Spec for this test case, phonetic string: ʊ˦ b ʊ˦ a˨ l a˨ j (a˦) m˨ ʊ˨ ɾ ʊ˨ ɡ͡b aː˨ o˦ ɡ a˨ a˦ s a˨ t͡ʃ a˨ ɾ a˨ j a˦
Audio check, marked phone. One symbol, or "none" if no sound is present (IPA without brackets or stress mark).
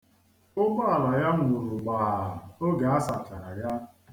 a˦